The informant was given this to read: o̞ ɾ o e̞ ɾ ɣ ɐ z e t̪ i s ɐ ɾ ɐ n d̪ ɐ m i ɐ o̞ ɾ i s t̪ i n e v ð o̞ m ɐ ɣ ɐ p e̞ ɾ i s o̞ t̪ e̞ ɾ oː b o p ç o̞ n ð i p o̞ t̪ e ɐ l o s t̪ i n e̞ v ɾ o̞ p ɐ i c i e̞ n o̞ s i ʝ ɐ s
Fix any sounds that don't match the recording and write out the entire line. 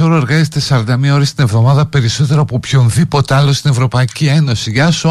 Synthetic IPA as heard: o̞ ɾ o e̞ ɾ ɣ ɐ z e t̪ e s ɐ ɾ ɐ n d̪ ɐ m i ɐ o̞ ɾ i s t̪ i n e v ð o̞ m ɐ ð ɐ p e̞ ɾ i s o̞ t̪ e̞ ɾ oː p o p ç o̞ n ð i p o̞ t̪ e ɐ l o s t̪ i n e̞ v ɾ o̞ p ɐ i c i e̞ n o̞ s i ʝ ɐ s